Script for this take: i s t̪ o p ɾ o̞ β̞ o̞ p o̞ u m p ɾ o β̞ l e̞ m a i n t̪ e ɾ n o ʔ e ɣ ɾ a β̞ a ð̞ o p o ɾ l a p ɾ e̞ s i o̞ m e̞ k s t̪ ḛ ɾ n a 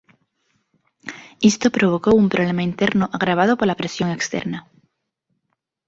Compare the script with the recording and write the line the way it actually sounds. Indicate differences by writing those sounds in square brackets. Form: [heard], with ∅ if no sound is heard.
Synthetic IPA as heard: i s t̪ o p ɾ o̞ β̞ o̞ [k] o̞ u m p ɾ o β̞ l e̞ m a i n t̪ e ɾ n o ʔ [a] ɣ ɾ a β̞ a ð̞ o p o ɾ l a p ɾ e̞ s [j] o̞ [ŋ] e̞ k s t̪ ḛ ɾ n a

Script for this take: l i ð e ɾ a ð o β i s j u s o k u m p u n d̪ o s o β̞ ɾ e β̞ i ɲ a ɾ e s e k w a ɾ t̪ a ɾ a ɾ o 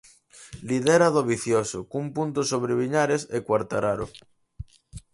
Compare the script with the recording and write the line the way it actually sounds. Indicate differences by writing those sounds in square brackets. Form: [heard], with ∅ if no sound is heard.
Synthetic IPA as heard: l i ð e ɾ a ð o β i [θ] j [o] s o k u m p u n [t̪] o s o β̞ ɾ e β̞ i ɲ a ɾ e s e k w a ɾ t̪ a ɾ a ɾ o

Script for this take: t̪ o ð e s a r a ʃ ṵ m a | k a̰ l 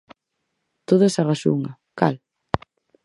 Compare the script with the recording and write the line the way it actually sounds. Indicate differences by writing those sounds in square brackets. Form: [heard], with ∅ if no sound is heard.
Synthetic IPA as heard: t̪ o ð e s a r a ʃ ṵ [ŋ] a | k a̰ l

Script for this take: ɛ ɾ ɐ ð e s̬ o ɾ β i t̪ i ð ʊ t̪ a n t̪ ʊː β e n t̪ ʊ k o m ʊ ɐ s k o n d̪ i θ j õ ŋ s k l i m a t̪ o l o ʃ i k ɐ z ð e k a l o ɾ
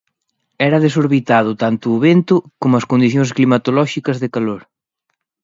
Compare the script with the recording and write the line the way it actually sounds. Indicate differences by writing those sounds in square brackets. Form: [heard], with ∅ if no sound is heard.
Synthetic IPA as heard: ɛ ɾ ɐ ð e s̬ o ɾ β i t̪ [a] ð ʊ t̪ a n t̪ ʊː β e n t̪ ʊ k o m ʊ ɐ s k o n d̪ i θ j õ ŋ s k l i m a t̪ o l [ɔ] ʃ i k ɐ z ð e k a l o ɾ

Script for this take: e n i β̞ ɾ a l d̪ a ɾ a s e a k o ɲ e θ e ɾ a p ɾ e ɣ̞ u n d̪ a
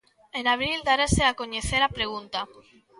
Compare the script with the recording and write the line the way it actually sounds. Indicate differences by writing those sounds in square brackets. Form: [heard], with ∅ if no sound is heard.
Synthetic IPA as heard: e n [a] β̞ ɾ [i] l d̪ a ɾ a s e a k o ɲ e θ e ɾ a p ɾ e ɣ̞ u n [t̪] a

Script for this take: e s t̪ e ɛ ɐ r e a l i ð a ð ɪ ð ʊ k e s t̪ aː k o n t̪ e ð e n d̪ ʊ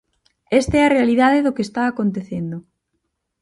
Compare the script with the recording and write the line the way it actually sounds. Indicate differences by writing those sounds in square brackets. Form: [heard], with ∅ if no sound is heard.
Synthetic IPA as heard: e s t̪ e ɛ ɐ r e a l i ð a ð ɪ ð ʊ k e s t̪ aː k o n t̪ e [θ] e n d̪ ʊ

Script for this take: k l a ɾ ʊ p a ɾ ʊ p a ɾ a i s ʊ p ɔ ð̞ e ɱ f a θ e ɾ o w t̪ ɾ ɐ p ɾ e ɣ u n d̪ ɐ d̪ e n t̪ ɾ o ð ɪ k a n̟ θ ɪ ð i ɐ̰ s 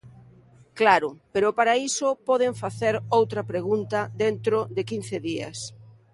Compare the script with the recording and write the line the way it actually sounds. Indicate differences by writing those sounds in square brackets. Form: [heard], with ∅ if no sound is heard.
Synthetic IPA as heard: k l a ɾ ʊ p [e] ɾ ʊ p a ɾ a i s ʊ p ɔ ð̞ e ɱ f a θ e ɾ o w t̪ ɾ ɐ p ɾ e ɣ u n [t̪] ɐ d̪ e n t̪ ɾ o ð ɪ k [i] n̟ θ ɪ ð i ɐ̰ s

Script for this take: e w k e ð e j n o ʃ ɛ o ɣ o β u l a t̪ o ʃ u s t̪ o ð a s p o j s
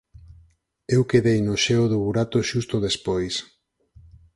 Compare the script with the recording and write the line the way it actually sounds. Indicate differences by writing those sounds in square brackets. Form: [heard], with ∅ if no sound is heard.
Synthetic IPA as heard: e w k e ð e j n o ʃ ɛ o [ð] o β u [ɾ] a t̪ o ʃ u s t̪ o ð [e] s p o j s

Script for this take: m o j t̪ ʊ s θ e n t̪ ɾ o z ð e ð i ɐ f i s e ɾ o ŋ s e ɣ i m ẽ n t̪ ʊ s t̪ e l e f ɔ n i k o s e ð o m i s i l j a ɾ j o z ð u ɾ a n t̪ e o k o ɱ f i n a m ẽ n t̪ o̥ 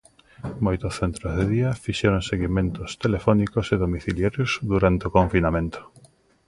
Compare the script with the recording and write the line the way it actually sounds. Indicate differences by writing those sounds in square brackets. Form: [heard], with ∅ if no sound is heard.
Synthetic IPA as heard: m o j t̪ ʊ s θ e n t̪ ɾ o z ð e ð i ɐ f i [ʃ] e ɾ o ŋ s e ɣ i m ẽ n t̪ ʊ s t̪ e l e f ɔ n i k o s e ð o m i [θ] i l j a ɾ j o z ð u ɾ a n t̪ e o k o ɱ f i n a m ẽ n t̪ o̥

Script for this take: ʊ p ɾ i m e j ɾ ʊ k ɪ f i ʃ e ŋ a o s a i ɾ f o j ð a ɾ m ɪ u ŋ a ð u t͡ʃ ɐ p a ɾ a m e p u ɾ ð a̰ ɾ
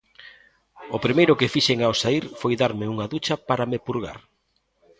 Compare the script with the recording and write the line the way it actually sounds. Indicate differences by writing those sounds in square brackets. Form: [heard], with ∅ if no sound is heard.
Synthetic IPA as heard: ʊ p ɾ i m e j ɾ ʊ k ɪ f i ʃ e ŋ a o s a i ɾ f o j ð a ɾ m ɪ u ŋ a ð u t͡ʃ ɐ p a ɾ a m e p u ɾ [ɣ] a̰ ɾ

